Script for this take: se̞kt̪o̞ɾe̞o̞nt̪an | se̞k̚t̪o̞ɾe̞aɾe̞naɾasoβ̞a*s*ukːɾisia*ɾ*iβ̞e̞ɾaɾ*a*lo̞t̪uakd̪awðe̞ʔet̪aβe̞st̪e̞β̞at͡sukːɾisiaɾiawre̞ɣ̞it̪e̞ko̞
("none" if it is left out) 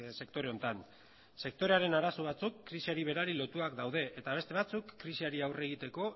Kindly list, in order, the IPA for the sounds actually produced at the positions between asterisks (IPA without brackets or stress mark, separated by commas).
t͡s, ɾ, i